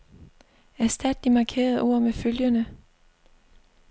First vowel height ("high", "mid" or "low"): low